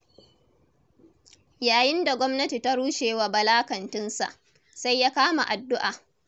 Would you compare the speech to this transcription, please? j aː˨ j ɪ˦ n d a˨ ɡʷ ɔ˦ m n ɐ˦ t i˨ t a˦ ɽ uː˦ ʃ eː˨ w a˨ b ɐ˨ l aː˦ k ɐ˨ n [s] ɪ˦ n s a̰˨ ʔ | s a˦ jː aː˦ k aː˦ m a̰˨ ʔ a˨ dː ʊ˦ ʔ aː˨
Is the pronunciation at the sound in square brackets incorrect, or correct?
incorrect: t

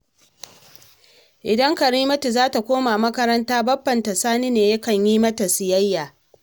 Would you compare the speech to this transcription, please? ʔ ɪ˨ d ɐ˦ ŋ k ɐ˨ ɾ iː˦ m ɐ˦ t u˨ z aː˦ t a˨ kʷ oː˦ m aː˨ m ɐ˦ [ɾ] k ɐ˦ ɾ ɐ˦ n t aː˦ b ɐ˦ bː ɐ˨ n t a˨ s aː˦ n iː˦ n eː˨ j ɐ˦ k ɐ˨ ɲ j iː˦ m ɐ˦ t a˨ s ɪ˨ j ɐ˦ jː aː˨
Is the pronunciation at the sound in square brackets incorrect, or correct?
incorrect: none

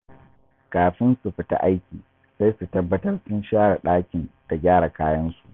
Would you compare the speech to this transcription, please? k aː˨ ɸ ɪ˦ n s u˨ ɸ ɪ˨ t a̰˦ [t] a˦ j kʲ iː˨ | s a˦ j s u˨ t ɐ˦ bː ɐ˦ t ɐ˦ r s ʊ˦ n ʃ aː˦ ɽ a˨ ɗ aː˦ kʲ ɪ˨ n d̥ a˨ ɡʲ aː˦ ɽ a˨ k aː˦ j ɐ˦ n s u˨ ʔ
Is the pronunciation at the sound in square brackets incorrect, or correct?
incorrect: ʔ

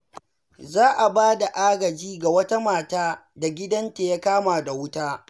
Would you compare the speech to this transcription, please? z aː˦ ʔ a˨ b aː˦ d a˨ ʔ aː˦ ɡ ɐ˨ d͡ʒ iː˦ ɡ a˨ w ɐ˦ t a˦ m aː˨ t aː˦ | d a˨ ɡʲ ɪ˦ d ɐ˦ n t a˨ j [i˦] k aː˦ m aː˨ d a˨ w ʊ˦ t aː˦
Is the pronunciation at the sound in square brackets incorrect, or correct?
incorrect: a˦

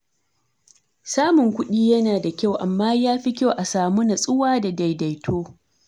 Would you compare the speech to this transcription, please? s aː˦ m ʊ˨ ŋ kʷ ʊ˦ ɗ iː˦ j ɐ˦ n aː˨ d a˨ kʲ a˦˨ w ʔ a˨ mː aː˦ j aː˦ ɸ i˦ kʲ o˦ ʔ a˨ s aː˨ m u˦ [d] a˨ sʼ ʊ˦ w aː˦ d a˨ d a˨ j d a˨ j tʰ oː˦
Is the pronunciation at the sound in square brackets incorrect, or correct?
incorrect: n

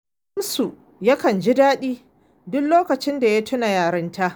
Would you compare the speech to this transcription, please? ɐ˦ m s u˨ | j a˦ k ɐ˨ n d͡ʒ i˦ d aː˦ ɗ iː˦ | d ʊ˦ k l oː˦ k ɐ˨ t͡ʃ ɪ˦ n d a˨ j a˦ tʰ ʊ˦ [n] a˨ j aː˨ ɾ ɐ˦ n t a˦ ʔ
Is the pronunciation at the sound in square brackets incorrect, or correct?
correct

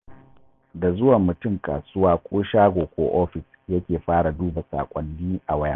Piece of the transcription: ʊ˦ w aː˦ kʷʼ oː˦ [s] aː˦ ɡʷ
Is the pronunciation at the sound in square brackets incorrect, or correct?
incorrect: ʃ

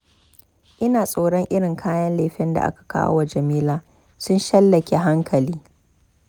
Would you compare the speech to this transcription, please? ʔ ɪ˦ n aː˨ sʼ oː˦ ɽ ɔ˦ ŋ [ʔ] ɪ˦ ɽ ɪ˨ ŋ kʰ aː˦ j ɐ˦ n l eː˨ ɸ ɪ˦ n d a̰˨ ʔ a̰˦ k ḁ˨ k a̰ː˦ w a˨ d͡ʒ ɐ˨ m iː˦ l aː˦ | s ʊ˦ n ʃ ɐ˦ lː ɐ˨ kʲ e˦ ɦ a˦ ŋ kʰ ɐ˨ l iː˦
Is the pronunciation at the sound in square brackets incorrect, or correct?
correct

